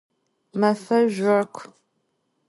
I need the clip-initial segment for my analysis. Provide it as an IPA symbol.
m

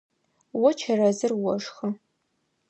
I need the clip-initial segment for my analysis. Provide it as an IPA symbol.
w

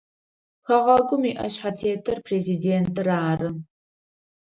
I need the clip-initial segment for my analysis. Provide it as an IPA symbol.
x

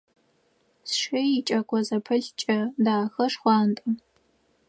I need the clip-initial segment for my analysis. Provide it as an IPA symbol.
s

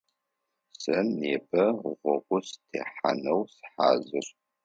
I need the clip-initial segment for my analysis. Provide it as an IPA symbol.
s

